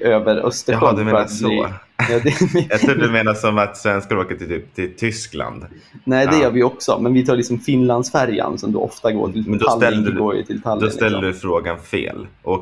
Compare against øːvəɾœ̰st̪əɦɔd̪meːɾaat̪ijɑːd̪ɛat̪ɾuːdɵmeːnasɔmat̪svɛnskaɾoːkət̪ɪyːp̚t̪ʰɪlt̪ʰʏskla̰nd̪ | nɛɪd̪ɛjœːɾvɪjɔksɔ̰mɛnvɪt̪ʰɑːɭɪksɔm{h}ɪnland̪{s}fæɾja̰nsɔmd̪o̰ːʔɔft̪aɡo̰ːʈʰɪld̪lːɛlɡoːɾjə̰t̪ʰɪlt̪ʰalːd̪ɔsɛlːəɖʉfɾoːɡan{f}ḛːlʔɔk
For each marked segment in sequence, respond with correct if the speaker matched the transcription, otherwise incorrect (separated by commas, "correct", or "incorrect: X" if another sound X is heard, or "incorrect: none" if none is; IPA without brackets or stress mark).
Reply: incorrect: f, correct, correct